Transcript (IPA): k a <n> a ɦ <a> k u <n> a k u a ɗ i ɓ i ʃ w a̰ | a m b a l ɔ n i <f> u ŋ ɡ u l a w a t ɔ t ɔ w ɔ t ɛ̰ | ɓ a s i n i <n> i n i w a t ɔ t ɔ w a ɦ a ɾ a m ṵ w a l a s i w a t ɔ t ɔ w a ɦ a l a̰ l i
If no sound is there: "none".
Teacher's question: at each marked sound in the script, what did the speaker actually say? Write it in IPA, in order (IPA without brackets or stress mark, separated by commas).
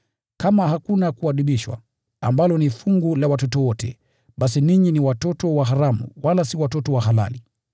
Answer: m, a, n, f, ɲ